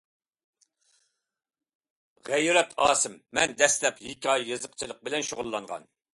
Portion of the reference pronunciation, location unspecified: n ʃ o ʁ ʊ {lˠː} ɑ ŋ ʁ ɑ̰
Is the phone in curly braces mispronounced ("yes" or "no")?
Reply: no